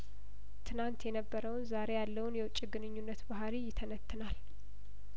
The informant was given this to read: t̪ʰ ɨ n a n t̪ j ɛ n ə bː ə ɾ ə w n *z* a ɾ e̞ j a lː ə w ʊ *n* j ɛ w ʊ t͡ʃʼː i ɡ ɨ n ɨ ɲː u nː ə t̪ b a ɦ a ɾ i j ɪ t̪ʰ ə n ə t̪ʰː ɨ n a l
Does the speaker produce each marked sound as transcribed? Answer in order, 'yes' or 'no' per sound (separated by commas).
yes, yes